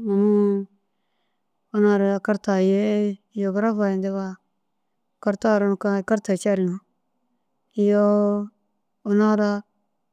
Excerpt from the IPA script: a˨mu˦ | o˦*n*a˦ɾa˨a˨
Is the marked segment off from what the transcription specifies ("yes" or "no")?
no